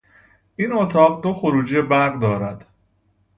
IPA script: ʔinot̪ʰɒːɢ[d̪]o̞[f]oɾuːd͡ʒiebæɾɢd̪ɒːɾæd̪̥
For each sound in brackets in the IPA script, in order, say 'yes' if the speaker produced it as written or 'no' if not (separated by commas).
yes, no